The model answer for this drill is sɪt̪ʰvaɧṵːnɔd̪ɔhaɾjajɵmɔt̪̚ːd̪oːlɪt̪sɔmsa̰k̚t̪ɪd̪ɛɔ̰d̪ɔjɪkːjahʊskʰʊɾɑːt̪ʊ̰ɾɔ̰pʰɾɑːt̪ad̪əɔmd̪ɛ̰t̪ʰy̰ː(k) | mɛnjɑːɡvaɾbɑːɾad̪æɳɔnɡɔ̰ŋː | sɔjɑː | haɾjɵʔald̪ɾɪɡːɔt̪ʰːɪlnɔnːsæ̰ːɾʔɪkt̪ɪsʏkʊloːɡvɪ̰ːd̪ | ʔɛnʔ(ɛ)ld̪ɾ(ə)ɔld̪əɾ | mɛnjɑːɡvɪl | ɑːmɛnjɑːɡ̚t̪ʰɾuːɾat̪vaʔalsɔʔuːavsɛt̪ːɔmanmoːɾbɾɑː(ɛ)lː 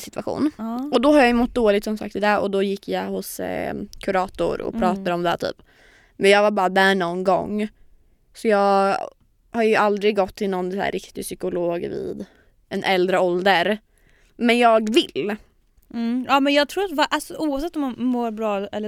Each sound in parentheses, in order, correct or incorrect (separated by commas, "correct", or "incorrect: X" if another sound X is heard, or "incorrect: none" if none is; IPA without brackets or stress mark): incorrect: p, correct, correct, correct